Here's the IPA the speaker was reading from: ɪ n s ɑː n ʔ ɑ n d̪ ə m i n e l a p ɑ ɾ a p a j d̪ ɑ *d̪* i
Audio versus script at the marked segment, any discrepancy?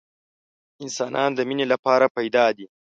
no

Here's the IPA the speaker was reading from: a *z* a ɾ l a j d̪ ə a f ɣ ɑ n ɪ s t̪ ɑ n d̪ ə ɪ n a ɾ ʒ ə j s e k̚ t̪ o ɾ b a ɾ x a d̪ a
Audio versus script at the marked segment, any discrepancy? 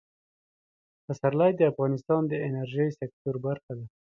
yes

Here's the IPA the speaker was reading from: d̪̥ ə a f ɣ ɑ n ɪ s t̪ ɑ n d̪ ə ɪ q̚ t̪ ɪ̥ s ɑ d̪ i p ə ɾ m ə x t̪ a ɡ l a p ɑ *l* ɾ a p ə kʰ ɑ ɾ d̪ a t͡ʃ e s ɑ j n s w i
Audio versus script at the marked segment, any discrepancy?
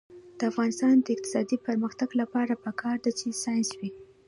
yes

